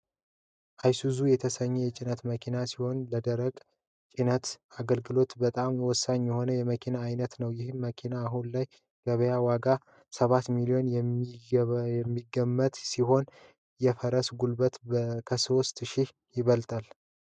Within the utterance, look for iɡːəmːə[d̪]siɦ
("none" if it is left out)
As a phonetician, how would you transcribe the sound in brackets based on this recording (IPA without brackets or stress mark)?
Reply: t̪